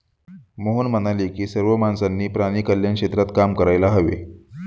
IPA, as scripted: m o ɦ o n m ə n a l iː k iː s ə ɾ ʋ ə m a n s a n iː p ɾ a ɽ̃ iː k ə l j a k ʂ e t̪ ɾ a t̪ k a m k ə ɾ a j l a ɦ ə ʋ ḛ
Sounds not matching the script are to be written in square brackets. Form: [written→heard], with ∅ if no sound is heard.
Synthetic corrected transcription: m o ɦ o n m ə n a l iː k iː s ə ɾ ʋ ə m a n s a [n→nː] iː p ɾ a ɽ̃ iː k ə l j a k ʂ e t̪ ɾ a t̪ k a m k ə ɾ a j l a ɦ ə ʋ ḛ